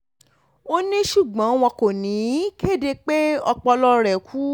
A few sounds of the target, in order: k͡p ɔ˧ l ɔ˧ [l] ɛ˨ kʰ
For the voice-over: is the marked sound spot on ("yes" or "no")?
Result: no